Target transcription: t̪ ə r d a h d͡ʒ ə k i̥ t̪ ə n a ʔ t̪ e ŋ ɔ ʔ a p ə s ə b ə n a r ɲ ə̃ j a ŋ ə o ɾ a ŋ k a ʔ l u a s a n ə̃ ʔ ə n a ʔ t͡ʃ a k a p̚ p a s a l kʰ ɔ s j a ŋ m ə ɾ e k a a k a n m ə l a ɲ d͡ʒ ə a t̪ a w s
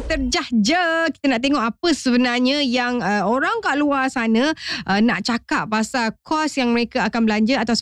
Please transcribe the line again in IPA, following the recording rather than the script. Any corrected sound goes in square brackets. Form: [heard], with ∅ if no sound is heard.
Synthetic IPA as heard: t̪ ə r [d͡ʒ] a h d͡ʒ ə k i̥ t̪ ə n a ʔ t̪ e ŋ ɔ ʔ a p ə s ə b ə n a r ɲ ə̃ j a ŋ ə o ɾ a ŋ k a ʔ l u a s a n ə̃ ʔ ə n a ʔ t͡ʃ a k a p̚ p a s a l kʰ ɔ s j a ŋ m ə ɾ e k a a k a n [b] ə l a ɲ d͡ʒ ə a t̪ a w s